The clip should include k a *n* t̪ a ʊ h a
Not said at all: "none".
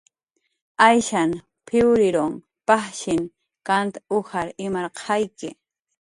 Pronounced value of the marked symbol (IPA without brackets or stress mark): n